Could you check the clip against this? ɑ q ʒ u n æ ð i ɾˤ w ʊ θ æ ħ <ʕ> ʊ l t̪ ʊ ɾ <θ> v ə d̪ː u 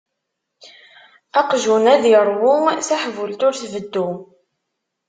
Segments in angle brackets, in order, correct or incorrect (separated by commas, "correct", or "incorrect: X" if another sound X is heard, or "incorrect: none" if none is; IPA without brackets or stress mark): incorrect: v, correct